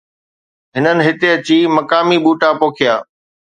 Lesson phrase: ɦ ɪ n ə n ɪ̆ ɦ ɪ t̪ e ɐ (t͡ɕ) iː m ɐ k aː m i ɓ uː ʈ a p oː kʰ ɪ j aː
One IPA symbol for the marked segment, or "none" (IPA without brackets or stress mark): t͡ɕ